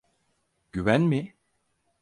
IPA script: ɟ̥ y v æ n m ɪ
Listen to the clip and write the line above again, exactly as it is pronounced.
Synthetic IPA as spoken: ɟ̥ y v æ n m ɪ